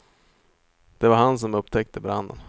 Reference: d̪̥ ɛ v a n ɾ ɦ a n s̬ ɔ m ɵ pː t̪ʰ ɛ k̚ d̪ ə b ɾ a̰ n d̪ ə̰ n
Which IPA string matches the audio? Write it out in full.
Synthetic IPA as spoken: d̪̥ ɛ v a ɾ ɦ a n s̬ ɔ m ɵ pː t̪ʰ ɛ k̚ t̪ ə b ɾ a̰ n d̪ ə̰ n